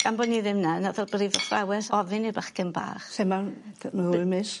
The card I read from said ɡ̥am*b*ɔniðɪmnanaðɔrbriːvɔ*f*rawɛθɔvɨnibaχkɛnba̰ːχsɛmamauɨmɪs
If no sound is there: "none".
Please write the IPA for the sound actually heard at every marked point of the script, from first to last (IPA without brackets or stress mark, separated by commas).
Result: b, f